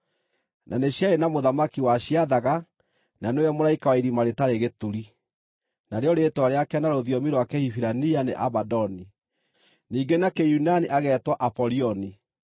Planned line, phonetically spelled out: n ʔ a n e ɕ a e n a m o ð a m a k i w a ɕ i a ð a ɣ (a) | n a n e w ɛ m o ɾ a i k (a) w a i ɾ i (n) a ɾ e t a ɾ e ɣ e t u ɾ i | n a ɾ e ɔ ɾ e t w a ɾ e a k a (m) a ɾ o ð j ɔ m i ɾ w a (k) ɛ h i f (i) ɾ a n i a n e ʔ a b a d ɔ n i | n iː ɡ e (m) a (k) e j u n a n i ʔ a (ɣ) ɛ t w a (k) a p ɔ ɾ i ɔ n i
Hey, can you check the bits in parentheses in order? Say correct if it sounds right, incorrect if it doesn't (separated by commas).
correct, correct, incorrect, incorrect, correct, correct, incorrect, correct, correct, incorrect